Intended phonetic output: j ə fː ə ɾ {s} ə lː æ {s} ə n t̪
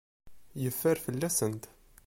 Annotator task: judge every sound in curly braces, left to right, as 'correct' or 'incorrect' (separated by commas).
incorrect, correct